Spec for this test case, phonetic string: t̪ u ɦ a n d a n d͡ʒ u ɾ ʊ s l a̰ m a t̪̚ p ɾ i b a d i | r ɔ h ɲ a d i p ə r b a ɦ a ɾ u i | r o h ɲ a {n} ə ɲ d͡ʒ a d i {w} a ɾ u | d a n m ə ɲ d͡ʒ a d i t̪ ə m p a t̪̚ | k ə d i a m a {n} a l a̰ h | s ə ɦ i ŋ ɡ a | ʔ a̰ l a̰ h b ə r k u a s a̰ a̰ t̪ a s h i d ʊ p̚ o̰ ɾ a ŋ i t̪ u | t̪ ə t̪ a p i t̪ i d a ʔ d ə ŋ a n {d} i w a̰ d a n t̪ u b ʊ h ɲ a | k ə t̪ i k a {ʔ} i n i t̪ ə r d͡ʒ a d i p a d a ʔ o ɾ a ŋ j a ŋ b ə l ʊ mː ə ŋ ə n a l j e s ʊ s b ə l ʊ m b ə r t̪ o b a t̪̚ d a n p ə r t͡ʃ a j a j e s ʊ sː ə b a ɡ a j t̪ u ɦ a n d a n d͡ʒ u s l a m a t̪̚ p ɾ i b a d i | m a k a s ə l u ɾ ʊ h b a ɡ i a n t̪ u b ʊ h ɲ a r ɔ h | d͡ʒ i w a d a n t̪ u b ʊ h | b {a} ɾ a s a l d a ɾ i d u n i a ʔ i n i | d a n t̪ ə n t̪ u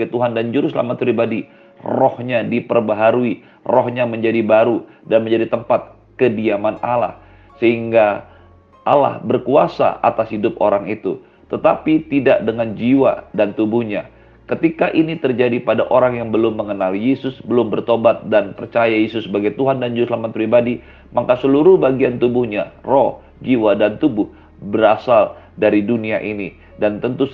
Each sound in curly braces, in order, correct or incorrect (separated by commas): incorrect, incorrect, correct, incorrect, correct, incorrect